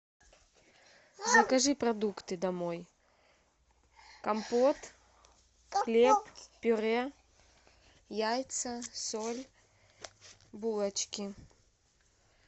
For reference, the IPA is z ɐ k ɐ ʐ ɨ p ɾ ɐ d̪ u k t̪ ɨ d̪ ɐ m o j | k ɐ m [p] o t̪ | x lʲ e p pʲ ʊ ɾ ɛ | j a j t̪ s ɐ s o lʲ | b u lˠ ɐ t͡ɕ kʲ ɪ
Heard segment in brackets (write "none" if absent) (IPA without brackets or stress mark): p